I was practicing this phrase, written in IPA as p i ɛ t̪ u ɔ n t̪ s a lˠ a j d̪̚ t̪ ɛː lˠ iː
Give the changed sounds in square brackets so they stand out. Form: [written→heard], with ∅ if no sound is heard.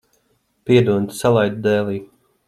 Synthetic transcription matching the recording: p i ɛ [t̪→d̪] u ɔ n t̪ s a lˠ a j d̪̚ [t̪→d̪] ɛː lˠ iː